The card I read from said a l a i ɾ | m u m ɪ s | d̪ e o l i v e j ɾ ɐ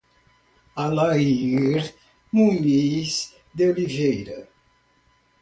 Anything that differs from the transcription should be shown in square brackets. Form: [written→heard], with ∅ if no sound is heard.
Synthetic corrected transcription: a l a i ɾ | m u m [ɪ→i] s | d̪ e o l i v e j ɾ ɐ